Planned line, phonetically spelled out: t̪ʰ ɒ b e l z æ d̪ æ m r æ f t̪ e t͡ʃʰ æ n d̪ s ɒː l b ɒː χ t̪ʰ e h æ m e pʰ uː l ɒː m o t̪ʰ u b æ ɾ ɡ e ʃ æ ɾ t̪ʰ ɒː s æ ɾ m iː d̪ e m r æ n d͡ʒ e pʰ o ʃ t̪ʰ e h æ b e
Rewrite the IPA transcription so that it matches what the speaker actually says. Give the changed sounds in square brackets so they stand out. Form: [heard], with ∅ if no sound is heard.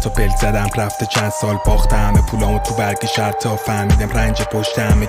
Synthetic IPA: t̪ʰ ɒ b e l z æ d̪ æ m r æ f t̪ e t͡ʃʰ æ n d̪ s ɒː l b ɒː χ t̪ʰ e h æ m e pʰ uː l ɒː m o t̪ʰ u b æ ɾ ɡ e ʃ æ ɾ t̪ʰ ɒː [f] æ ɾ m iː d̪ [æ] m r æ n d͡ʒ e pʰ o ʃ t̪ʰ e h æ [m] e